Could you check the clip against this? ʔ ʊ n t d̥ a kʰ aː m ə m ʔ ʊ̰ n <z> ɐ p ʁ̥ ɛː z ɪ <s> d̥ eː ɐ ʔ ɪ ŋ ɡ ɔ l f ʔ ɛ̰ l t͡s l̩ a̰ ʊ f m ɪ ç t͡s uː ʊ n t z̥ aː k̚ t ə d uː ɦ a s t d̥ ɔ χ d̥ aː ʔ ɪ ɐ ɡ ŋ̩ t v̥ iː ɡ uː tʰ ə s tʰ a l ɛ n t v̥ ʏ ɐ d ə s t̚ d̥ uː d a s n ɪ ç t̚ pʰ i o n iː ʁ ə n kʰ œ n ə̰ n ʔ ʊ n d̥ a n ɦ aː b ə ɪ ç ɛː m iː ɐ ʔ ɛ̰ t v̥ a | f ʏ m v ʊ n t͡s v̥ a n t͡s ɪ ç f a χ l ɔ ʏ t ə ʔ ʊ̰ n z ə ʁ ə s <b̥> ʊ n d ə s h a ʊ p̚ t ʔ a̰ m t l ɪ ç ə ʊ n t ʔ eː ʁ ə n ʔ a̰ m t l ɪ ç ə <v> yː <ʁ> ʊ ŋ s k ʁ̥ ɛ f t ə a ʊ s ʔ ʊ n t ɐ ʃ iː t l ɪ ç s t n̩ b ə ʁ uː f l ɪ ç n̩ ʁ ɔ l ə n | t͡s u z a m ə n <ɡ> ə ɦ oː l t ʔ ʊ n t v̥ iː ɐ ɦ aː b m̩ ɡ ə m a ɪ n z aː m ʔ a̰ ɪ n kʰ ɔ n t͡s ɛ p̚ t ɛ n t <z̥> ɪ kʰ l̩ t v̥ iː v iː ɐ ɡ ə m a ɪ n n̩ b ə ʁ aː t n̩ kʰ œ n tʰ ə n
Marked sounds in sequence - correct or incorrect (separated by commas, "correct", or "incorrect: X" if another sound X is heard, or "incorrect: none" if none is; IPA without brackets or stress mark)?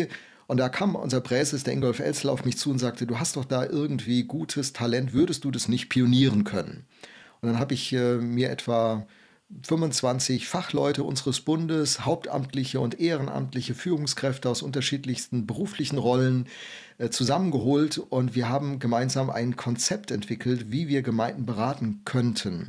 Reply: correct, correct, correct, incorrect: f, correct, correct, incorrect: v̥